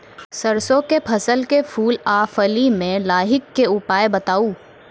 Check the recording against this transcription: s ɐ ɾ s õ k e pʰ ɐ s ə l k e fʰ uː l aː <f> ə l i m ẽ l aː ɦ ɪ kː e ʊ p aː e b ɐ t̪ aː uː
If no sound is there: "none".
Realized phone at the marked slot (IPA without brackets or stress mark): f